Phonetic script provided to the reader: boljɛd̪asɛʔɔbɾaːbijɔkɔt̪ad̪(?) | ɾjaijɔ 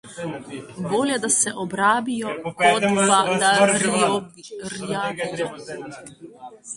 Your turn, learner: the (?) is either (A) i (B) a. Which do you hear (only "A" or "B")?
B